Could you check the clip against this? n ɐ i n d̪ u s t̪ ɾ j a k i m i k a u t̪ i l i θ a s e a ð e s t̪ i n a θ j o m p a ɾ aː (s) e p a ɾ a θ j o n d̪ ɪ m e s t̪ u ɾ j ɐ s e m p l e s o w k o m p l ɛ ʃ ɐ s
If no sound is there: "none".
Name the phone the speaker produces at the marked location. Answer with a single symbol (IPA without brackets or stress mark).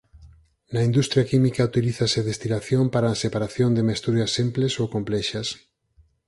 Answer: s